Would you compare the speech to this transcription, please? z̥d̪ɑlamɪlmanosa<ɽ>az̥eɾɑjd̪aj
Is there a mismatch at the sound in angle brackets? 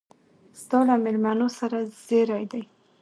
yes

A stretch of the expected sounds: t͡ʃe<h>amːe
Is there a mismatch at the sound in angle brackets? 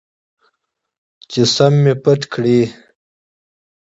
yes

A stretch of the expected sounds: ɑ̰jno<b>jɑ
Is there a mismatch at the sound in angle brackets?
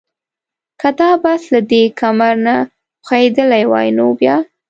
no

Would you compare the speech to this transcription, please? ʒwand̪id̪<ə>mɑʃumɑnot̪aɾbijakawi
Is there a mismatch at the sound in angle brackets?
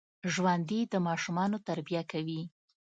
no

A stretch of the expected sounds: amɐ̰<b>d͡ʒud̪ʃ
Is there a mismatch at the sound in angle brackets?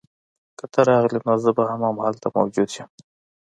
yes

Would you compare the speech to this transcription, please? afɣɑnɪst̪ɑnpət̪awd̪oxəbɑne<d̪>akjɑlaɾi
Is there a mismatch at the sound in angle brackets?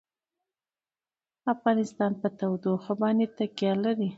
yes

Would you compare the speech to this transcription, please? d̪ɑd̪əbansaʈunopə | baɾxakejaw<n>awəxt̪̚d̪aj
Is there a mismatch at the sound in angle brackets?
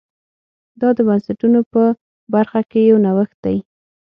no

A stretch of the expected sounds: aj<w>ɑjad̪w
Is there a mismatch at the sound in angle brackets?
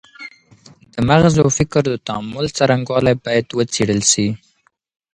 yes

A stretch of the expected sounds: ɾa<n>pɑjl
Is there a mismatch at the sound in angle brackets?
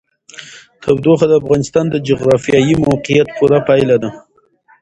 yes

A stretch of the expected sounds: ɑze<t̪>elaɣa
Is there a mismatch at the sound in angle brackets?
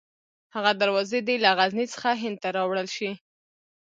yes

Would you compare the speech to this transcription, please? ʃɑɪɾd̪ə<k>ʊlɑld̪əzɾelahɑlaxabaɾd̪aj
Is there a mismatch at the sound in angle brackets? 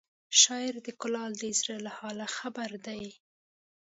no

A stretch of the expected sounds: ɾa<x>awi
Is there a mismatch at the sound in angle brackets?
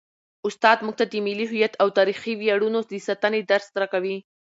yes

